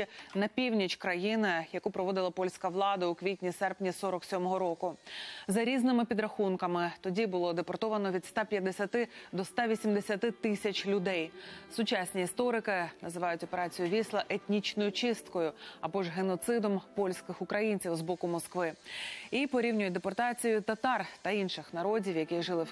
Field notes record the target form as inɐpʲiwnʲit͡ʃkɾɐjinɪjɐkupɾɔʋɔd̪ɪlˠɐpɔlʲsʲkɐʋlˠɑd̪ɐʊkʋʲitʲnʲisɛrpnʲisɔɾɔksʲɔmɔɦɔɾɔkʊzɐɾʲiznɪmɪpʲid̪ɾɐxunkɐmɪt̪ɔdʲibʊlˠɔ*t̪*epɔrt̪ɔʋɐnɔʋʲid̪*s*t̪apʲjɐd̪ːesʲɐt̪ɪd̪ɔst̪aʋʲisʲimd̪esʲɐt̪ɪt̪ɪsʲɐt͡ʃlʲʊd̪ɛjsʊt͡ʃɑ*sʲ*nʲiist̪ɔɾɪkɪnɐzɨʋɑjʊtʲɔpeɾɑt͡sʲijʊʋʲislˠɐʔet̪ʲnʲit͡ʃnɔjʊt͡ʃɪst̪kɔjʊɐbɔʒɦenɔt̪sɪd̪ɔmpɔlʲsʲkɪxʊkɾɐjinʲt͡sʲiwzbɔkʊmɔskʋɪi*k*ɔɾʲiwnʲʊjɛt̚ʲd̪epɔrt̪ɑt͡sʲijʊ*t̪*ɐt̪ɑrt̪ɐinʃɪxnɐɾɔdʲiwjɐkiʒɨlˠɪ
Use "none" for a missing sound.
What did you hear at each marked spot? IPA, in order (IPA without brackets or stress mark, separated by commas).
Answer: d̪, s, sʲ, p, t̪